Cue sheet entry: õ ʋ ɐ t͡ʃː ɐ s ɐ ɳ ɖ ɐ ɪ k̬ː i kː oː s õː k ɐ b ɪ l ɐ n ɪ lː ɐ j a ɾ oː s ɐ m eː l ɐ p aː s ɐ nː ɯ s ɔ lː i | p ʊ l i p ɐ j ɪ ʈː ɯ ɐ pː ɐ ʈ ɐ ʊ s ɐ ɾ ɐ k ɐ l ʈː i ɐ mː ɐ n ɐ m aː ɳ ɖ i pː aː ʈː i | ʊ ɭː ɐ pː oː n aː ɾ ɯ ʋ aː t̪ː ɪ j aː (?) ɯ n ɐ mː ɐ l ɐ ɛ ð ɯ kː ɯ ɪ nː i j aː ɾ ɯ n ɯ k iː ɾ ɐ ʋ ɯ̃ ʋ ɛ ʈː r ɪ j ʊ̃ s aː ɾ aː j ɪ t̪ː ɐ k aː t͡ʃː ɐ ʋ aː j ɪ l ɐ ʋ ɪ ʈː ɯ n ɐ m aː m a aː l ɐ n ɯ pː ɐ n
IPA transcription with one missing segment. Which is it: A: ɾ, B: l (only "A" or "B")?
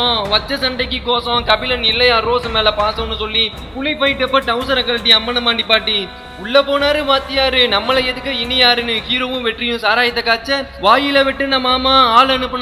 A